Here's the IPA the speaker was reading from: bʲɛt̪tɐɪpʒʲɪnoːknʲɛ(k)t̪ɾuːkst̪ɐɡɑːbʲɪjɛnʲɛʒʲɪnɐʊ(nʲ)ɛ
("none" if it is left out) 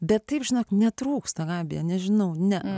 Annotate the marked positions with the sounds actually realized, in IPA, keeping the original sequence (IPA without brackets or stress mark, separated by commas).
none, nʲ